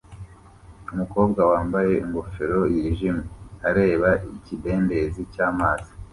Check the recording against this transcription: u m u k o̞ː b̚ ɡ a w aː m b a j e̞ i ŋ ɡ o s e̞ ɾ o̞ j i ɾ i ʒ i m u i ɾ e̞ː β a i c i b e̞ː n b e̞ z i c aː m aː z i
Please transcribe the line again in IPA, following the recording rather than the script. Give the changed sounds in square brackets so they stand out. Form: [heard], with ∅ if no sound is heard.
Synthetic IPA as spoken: u m u k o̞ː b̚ ɡ a w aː m b a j e̞ i ŋ ɡ o [f] e̞ ɾ o̞ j i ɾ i ʒ i m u [a] ɾ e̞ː β a i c i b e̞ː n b e̞ z i c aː m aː z i